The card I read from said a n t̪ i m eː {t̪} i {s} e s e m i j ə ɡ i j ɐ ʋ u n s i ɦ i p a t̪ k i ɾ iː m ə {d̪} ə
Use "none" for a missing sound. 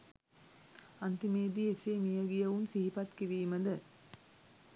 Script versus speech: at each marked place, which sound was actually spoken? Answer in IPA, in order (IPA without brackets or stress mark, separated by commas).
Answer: d̪, none, d̪